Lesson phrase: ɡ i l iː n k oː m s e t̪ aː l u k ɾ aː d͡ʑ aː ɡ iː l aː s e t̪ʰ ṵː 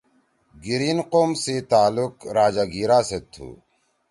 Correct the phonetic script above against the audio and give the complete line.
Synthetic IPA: ɡ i ɾ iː n q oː m s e t̪ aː l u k ɾ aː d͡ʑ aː ɡ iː ɾ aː s e t̪ʰ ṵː